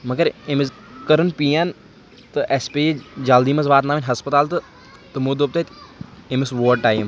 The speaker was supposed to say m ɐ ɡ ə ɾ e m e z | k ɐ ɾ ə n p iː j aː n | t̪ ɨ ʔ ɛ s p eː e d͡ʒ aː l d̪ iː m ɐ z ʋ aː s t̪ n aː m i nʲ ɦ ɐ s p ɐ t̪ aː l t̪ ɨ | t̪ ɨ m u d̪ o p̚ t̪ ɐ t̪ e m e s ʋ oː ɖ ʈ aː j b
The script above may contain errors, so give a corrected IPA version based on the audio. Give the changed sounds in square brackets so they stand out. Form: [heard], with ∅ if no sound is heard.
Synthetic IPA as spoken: m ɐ ɡ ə ɾ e m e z | k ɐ ɾ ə n p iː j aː n | t̪ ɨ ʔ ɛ s p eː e d͡ʒ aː l d̪ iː m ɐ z ʋ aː [∅] t̪ n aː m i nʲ ɦ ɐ s p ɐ t̪ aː l t̪ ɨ | t̪ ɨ m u d̪ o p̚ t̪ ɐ t̪ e m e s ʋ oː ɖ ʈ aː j [m]